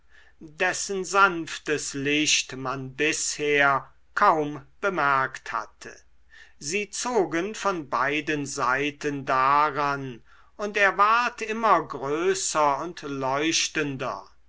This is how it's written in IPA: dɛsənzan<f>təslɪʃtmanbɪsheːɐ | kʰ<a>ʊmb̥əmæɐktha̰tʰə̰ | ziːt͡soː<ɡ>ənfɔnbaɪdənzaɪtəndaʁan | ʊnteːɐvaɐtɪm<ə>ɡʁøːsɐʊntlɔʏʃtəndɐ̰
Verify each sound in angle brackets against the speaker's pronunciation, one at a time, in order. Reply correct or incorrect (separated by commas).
correct, correct, correct, incorrect